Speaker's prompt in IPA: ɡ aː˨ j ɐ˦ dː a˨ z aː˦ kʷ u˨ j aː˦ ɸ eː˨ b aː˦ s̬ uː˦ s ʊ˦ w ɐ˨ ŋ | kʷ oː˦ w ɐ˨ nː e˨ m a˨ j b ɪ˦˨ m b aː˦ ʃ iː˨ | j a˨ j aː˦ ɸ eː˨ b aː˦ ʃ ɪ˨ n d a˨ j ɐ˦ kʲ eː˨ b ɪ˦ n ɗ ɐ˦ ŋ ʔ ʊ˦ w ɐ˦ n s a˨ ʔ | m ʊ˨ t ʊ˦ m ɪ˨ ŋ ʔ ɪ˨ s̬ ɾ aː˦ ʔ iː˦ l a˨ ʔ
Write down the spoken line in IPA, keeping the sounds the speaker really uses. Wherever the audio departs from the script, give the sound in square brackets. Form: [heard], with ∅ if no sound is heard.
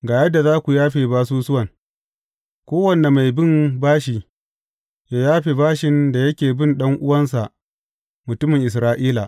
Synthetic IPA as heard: ɡ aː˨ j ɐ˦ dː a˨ z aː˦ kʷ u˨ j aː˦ ɸ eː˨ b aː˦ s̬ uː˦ s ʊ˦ w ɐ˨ ŋ | kʷ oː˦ w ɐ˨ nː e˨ m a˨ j b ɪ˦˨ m b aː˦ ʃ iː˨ | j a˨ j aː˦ ɸ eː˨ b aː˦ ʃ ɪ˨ n d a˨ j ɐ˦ kʲ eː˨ b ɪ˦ n ɗ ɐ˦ ŋ ʔ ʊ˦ w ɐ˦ n s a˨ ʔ | m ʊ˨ t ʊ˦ m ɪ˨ ŋ ʔ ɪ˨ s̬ ɾ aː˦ ʔ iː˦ l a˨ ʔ